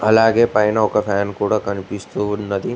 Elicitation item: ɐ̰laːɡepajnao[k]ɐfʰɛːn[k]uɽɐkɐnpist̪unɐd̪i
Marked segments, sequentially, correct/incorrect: correct, correct

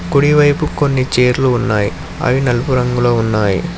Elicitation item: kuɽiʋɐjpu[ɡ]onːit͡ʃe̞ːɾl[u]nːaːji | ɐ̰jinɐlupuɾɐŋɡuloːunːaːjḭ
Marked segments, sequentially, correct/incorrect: incorrect, incorrect

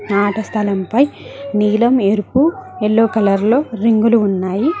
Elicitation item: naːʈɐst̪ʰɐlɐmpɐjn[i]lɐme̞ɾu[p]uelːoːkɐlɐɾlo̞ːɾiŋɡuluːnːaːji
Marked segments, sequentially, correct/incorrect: incorrect, correct

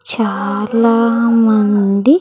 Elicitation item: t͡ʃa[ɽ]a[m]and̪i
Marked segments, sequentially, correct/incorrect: incorrect, correct

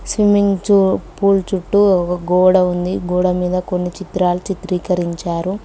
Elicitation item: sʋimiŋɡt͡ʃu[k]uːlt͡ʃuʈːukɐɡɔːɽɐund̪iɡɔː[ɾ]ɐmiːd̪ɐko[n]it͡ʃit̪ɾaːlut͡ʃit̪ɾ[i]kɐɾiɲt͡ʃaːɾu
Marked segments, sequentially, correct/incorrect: incorrect, incorrect, incorrect, incorrect

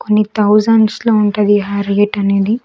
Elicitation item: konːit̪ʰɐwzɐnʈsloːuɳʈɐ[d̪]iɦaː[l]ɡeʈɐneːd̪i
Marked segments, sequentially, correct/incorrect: correct, incorrect

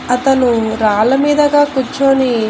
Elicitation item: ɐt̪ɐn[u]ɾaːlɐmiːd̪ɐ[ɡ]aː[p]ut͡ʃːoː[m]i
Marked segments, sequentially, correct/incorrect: correct, correct, incorrect, incorrect

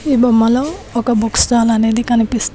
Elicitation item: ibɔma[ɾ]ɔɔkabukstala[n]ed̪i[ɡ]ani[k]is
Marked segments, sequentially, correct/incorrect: incorrect, correct, incorrect, incorrect

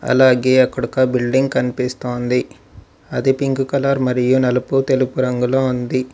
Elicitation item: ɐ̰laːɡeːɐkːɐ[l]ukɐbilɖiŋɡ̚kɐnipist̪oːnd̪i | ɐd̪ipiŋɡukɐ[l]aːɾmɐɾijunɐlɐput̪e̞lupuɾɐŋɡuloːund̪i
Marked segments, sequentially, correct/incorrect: incorrect, correct

